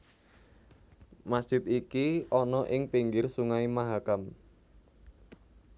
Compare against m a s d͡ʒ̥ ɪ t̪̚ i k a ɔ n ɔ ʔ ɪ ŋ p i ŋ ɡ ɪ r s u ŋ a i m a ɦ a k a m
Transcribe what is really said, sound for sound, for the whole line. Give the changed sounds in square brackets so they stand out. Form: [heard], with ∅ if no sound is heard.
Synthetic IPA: m a s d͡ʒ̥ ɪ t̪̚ i k [i] ɔ n ɔ ʔ ɪ ŋ p i ŋ ɡ ɪ r s u ŋ a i m a ɦ a k a m

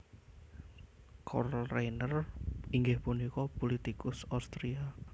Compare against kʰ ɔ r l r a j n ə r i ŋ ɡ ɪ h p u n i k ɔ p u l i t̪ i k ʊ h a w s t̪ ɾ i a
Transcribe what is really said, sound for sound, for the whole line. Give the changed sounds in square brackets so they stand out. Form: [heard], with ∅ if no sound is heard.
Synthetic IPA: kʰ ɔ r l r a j n ə r i ŋ ɡ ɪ h p u n i k ɔ p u l i t̪ i k ʊ [s] a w s t̪ ɾ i a

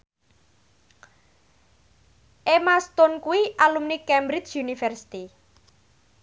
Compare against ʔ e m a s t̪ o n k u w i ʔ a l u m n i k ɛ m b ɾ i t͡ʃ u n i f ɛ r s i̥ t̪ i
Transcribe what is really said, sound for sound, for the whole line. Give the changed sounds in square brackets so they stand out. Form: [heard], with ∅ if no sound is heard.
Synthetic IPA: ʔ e m a s t̪ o n k u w i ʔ a l u m n i k ɛ m b ɾ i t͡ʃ u n i f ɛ r s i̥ t̪ i

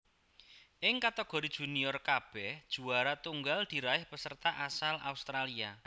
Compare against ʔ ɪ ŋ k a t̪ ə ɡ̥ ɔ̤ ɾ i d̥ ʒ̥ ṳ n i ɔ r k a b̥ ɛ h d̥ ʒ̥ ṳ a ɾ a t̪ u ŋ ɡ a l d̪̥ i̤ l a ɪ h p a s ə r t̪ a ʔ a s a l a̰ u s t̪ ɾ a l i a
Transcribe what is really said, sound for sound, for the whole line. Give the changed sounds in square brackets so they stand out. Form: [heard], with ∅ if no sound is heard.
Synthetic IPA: ʔ ɪ ŋ k a t̪ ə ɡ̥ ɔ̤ ɾ i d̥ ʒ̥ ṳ n i ɔ r k a b̥ ɛ h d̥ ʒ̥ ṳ a ɾ a t̪ u ŋ ɡ a l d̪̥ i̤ [ɾ] a ɪ h p [ə] s ə r t̪ a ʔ a s a l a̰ u s t̪ ɾ a l i a

